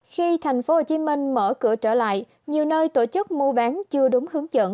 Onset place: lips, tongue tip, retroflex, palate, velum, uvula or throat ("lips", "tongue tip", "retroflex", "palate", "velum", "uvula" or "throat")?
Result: velum